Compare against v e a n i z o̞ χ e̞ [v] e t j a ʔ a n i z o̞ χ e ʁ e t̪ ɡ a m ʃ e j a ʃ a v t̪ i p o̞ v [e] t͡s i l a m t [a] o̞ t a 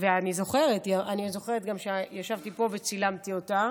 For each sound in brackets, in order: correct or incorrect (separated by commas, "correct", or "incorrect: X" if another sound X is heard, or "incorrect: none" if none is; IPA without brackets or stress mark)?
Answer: incorrect: ʁ, correct, incorrect: i